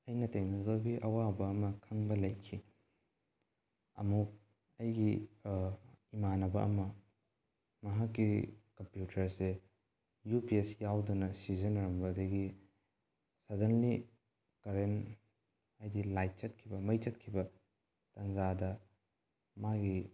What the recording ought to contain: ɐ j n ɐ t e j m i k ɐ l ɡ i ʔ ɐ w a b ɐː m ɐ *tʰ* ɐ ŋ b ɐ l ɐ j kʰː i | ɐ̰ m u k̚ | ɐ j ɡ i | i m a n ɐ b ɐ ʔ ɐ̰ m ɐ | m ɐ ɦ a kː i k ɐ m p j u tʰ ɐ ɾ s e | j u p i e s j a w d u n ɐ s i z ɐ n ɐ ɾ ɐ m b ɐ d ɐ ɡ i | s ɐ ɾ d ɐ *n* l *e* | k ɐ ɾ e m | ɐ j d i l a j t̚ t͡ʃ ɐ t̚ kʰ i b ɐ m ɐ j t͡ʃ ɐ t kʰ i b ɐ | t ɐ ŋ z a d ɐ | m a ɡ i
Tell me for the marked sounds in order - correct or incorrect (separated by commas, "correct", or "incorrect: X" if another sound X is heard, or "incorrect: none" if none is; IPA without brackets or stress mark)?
incorrect: kʰ, correct, incorrect: i